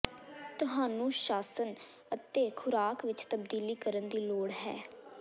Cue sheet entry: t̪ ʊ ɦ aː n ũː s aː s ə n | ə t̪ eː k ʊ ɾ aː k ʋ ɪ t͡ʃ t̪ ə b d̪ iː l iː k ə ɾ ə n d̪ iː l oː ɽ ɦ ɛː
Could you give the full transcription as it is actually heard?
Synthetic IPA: t̪ ʊ ɦ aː n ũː ʃ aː s ə n | ə t̪ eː kʰ ʊ ɾ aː k ʋ ɪ t͡ʃ t̪ ə b d̪ iː l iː k ə ɾ ə n d̪ iː l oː ɽ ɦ ɛː